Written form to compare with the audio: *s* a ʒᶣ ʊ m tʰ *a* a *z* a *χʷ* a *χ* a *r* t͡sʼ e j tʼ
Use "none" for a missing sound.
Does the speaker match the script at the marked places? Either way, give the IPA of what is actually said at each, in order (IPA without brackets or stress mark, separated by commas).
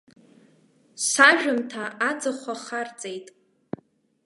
s, a, d͡z, χʷ, χ, r